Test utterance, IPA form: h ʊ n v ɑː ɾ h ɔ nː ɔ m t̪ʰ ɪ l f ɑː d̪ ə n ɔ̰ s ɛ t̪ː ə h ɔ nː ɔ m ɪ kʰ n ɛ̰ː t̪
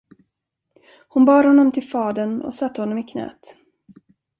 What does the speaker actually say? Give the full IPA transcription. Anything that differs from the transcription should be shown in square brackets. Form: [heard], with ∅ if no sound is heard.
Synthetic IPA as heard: h ʊ n [b] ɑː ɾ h ɔ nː ɔ m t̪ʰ ɪ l f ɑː d̪ ə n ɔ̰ s [a] t̪ː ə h ɔ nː ɔ m ɪ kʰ n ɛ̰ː t̪

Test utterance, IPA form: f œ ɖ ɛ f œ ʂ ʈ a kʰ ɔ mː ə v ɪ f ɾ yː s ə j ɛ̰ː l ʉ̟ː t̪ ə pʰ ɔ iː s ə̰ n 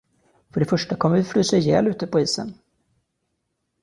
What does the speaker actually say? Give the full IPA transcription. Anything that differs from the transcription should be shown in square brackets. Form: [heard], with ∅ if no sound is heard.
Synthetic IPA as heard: f œ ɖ ɛ f œ ʂ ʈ a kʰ ɔ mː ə v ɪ f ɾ yː s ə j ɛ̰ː l ʉ̟ː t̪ ə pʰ ɔ iː s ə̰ n

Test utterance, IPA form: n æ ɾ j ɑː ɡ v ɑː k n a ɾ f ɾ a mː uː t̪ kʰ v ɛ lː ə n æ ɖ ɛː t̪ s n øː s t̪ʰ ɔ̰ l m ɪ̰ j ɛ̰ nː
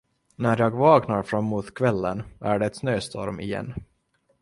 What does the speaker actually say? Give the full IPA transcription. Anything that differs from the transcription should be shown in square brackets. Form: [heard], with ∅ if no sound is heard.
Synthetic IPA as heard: n æ ɾ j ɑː ɡ v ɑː k n a ɾ f ɾ a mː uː t̪ kʰ v ɛ lː ə n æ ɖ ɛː t̪ s n øː s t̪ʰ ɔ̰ [ɾ] m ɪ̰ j ɛ̰ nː

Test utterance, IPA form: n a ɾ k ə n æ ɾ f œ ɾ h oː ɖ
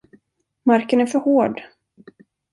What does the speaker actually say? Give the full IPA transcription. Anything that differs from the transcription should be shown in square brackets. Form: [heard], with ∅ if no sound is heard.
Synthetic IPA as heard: [m] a ɾ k ə n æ ɾ f œ ɾ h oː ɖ

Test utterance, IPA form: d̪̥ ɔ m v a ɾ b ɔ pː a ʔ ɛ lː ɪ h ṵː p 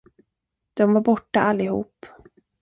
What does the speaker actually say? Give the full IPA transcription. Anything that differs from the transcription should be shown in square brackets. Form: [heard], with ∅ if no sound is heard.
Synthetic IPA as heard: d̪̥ ɔ m v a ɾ b ɔ [ʈː] a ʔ [a] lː ɪ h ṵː p

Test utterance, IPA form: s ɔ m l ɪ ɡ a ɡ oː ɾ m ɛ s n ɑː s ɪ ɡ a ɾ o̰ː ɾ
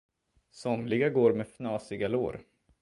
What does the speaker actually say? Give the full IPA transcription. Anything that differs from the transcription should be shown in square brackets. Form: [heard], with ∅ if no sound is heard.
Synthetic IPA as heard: s ɔ m l ɪ ɡ a ɡ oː ɾ m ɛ [f] n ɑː s ɪ ɡ a [l] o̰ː ɾ

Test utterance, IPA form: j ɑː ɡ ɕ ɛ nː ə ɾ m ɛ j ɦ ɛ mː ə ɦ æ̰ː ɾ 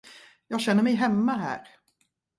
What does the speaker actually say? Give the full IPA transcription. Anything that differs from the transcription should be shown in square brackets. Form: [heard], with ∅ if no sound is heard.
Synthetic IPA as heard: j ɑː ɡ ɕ ɛ nː ə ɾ m ɛ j ɦ ɛ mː [a] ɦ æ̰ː ɾ

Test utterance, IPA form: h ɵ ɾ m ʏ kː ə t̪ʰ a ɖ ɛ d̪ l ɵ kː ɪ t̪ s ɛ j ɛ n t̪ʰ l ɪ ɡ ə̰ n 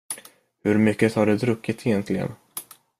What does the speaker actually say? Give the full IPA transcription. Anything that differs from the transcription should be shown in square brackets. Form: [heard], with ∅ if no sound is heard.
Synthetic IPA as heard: h ɵ ɾ m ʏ kː ə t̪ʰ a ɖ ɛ d̪ [ɾ] ɵ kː ɪ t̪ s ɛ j ɛ n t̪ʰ l ɪ ɡ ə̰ n

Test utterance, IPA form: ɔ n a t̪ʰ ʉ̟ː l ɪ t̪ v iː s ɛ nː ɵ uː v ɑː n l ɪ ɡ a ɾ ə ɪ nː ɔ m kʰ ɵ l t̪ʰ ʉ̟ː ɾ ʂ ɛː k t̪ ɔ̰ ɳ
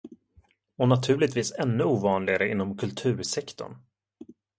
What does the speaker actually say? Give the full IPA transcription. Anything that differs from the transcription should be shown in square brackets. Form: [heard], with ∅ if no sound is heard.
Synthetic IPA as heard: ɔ n a t̪ʰ ʉ̟ː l ɪ t̪ v iː s ɛ nː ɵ uː v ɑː n l ɪ ɡ a ɾ ə ɪ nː ɔ m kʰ ɵ l t̪ʰ ʉ̟ː ɾ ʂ [ɛ] k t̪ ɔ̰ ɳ

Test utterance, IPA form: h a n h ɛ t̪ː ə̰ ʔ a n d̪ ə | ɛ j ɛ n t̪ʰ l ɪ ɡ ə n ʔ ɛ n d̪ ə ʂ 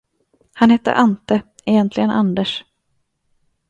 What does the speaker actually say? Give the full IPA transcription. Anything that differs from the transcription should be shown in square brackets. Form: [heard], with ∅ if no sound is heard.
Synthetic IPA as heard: h a n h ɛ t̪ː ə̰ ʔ a n [t̪] ə | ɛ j ɛ n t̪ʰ l ɪ ɡ ə n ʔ [a] n d̪ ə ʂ

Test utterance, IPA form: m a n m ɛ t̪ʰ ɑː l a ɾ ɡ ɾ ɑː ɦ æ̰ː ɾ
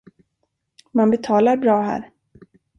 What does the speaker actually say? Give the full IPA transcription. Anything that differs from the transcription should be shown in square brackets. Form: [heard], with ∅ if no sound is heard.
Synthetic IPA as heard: m a n [b] ɛ t̪ʰ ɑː l a ɾ [b] ɾ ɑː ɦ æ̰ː ɾ

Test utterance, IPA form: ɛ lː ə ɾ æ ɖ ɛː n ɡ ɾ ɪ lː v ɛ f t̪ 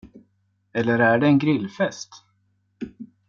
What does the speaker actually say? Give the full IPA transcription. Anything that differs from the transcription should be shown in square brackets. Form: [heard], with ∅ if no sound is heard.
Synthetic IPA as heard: ɛ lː ə ɾ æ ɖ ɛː n ɡ ɾ ɪ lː [f] ɛ [s] t̪

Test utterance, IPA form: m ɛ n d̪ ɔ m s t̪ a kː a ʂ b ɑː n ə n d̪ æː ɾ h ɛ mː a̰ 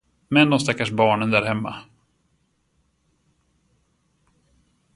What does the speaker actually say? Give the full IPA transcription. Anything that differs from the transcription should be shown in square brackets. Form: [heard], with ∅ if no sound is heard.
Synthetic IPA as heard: m ɛ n d̪ ɔ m s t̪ a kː a ʂ b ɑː [ɳ] ə n d̪ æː ɾ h ɛ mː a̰

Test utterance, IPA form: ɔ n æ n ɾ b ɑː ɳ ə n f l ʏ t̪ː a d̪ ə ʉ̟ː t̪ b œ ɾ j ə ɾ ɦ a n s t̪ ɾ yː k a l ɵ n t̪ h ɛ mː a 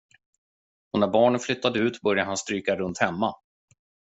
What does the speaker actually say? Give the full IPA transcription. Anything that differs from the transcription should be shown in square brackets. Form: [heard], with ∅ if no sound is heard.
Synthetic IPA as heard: ɔ n æ [∅] ɾ b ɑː ɳ ə n f l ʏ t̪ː a d̪ ə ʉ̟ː t̪ b œ ɾ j [a] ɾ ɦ a n s t̪ ɾ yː k a [ɾ] ɵ n t̪ h ɛ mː a

